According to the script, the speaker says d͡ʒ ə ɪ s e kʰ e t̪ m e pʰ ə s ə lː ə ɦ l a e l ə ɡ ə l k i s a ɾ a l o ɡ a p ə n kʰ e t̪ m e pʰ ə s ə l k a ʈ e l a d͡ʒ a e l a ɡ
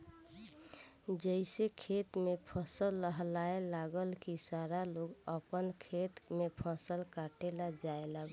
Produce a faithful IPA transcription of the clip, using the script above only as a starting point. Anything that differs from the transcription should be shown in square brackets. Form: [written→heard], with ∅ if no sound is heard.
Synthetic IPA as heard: d͡ʒ ə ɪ s e kʰ e t̪ m e pʰ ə s ə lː ə ɦ l a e l [ə→a] ɡ ə l k i s a ɾ a l o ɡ [a→ə] p ə n kʰ e t̪ m e pʰ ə s ə l k a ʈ e l a d͡ʒ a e l a ɡ